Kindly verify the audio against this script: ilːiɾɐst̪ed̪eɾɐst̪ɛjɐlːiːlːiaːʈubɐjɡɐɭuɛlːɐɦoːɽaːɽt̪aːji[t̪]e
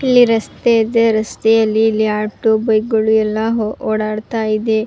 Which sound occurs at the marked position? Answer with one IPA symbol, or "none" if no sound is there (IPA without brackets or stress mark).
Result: d̪